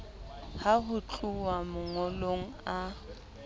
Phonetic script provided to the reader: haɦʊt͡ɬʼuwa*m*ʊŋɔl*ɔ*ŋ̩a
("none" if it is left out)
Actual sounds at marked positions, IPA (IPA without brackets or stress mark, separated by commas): m, o